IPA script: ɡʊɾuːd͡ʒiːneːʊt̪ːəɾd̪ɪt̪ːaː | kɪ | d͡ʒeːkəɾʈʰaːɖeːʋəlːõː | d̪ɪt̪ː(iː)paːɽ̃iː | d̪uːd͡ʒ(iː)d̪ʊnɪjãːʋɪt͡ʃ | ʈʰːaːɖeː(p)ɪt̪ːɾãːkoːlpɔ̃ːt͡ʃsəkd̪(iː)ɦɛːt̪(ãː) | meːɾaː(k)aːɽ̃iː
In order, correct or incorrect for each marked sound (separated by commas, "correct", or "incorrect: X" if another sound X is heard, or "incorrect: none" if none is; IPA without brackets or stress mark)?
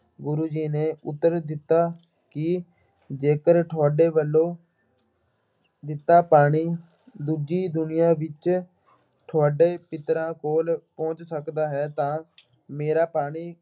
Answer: incorrect: aː, correct, correct, incorrect: aː, correct, incorrect: p